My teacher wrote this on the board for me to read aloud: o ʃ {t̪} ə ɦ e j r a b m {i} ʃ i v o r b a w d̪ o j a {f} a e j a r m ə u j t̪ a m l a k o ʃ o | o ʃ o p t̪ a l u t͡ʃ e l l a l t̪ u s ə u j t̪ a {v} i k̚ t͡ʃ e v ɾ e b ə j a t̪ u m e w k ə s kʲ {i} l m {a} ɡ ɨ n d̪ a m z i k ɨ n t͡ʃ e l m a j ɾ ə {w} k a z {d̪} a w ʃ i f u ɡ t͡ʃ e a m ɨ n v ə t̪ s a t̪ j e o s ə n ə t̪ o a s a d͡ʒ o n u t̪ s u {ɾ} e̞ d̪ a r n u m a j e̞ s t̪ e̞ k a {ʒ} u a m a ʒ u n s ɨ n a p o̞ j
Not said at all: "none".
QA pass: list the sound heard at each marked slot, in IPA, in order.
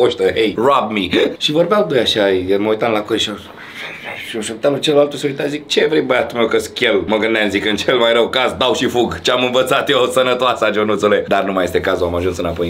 t̪, i, ʃ, z, e, ə, w, d̪, l, z

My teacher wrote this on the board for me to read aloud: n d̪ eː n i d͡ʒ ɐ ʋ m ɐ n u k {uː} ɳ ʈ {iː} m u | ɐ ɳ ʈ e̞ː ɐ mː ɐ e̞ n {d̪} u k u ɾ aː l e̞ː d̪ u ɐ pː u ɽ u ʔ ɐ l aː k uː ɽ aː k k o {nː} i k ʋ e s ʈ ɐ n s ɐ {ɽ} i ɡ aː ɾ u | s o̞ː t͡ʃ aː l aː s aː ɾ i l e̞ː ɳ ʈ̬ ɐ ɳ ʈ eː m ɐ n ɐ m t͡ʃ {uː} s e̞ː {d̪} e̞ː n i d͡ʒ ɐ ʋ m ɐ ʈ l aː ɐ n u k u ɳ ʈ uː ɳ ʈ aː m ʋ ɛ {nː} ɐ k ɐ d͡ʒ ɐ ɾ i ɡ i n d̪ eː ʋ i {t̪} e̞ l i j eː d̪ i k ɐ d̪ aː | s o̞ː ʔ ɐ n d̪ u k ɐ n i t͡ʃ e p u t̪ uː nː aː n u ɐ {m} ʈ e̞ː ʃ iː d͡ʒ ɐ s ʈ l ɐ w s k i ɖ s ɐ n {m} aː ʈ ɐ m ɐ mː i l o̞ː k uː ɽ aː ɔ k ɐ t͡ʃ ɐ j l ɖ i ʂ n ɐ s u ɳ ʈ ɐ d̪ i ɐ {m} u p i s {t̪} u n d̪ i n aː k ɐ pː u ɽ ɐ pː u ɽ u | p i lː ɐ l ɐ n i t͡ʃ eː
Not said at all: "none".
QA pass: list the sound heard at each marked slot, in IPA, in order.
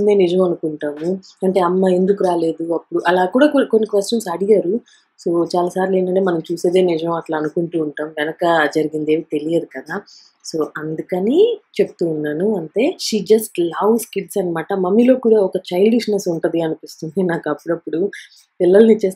u, aː, d̪, nː, ɽ, uː, d̪, n, t̪, ɳ, m, n, t̪

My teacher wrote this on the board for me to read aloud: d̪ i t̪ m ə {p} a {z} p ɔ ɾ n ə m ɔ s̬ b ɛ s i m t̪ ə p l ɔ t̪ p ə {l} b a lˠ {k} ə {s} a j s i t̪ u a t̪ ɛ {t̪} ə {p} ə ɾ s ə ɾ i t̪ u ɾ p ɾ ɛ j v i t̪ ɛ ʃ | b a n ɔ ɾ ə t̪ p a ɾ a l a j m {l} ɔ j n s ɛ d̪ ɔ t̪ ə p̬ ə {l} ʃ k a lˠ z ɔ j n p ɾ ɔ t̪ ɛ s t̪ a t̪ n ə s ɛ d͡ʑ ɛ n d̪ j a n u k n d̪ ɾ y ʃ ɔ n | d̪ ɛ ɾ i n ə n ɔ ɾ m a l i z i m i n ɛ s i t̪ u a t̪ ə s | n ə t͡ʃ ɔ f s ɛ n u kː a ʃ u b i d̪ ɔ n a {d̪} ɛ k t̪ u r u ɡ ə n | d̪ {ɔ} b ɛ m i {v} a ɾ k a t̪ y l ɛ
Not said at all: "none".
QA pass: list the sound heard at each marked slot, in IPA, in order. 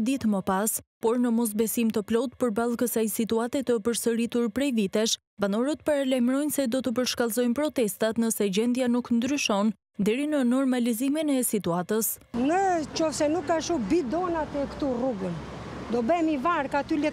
p, s, ɾ, k, s, t̪, p, ɾ, ɾ, t̪, ɔ, v

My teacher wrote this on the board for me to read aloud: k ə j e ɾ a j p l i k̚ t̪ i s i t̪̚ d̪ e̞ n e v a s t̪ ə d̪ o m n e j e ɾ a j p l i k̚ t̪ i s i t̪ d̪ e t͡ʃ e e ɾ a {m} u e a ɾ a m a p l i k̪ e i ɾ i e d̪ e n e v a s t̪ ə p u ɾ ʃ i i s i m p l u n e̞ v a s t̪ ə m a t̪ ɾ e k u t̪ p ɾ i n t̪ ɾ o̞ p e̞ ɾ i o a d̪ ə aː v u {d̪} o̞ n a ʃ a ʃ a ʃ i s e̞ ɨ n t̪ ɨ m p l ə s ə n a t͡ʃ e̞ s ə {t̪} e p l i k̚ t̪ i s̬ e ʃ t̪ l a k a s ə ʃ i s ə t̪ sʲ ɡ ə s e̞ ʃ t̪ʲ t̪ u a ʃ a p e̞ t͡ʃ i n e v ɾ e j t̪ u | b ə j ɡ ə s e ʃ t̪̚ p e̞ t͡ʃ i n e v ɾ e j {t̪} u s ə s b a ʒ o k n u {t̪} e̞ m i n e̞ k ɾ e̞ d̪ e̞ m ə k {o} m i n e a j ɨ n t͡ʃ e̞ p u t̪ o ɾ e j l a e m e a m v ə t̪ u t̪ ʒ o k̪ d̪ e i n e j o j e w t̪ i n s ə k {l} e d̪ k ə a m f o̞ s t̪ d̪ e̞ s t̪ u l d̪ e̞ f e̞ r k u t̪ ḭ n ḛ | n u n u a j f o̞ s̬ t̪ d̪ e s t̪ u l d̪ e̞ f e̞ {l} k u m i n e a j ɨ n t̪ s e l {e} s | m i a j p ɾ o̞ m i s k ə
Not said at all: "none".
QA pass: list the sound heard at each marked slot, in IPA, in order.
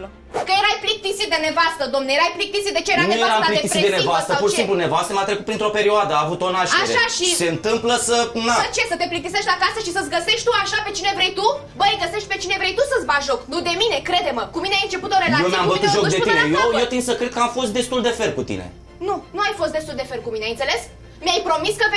n, t̪, t̪, t̪, d̪, u, ɾ, r, e

